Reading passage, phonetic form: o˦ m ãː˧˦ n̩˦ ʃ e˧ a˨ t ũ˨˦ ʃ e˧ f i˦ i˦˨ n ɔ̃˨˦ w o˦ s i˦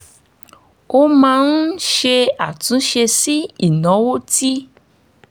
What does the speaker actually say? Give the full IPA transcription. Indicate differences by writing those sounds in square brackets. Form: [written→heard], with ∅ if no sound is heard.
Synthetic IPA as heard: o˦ m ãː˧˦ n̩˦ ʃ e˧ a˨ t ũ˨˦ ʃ e˧ [f→s] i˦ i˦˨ n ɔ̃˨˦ w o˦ [s→t] i˦